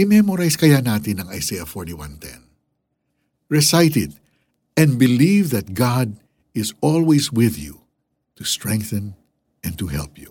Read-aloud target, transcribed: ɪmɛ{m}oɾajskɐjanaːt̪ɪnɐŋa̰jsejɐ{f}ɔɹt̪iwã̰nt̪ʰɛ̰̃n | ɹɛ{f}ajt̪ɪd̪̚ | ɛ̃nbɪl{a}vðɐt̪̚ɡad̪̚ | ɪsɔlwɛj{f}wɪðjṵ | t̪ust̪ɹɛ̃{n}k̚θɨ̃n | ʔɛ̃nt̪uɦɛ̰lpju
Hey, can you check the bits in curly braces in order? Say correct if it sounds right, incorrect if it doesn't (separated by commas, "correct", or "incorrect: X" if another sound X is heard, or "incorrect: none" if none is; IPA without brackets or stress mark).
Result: correct, correct, incorrect: s, incorrect: i, incorrect: s, incorrect: ŋ